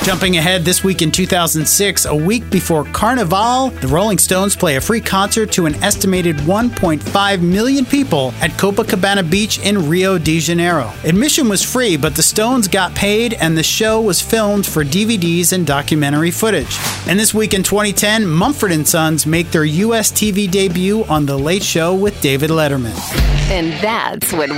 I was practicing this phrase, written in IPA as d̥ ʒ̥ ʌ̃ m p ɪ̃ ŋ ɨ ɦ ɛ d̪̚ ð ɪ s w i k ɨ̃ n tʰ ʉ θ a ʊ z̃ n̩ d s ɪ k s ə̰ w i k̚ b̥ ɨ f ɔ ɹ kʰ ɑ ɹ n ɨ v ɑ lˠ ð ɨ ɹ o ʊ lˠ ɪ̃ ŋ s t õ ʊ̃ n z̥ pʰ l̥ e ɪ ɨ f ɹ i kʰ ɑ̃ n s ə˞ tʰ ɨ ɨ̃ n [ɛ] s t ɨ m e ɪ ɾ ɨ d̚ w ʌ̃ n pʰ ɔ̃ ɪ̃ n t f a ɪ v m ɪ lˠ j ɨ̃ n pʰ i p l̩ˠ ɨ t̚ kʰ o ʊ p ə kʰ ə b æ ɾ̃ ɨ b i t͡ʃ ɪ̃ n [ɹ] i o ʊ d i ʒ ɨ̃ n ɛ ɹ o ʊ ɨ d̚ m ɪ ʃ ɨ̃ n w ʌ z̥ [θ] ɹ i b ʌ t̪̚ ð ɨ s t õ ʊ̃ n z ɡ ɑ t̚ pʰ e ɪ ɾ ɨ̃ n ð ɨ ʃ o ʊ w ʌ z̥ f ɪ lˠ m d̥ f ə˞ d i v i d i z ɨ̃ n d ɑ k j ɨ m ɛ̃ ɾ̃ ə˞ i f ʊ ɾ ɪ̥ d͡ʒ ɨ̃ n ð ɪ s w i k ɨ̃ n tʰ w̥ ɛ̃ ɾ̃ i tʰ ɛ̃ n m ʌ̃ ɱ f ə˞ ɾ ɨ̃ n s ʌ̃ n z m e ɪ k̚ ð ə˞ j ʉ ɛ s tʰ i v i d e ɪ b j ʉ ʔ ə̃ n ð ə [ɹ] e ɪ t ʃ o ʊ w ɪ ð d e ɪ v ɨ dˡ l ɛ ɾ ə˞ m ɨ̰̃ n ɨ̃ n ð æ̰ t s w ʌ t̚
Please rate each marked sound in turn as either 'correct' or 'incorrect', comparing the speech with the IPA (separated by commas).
correct, correct, incorrect, incorrect